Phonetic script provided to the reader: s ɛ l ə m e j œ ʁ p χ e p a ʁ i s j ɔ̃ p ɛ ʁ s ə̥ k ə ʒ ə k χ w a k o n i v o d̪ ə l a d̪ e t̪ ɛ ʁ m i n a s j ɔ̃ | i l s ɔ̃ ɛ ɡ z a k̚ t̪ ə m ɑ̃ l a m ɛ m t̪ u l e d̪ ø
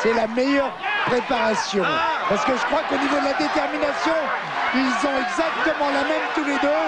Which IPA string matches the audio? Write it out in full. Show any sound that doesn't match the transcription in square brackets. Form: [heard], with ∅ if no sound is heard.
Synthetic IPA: s ɛ l [a] m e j œ ʁ p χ e p a ʁ [a] s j ɔ̃ p [a] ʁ s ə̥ k ə ʒ ə k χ w a k o n i v o d̪ ə l a d̪ e t̪ ɛ ʁ m i n a s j ɔ̃ | i l [z] ɔ̃ ɛ ɡ z a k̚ t̪ ə m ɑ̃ l a m ɛ m t̪ u l e d̪ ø